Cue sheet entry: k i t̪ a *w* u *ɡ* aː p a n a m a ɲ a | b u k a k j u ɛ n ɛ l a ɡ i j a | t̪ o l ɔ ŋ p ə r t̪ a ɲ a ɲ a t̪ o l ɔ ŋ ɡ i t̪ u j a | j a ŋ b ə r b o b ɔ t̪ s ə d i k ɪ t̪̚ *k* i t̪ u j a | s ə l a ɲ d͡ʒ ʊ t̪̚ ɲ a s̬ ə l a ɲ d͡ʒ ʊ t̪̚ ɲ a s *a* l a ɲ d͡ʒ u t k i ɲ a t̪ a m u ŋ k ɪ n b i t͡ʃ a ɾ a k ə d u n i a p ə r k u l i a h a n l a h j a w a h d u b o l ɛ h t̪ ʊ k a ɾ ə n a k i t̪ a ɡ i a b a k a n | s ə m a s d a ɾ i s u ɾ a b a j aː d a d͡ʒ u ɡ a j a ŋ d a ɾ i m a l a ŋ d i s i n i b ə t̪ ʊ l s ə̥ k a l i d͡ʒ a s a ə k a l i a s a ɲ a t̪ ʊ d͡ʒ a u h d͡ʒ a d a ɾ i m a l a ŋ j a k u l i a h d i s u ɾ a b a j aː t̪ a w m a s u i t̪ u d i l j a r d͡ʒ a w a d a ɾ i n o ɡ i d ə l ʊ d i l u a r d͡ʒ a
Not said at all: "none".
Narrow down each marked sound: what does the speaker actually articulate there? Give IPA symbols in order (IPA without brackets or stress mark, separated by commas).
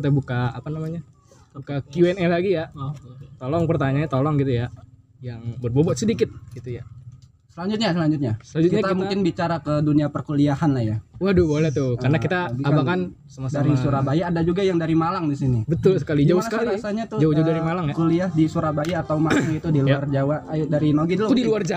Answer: b, k, ɡ, ə